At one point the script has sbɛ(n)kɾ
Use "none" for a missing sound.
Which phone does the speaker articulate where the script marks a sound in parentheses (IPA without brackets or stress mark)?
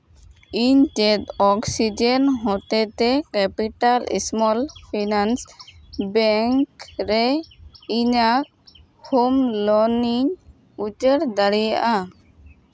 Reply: ŋ